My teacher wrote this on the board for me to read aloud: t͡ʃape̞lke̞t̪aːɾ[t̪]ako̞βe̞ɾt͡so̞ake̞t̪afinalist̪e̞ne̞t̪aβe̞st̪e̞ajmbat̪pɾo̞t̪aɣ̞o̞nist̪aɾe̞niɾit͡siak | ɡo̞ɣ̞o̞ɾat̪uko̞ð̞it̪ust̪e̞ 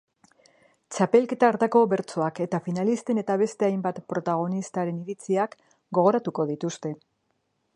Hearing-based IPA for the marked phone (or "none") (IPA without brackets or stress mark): t̪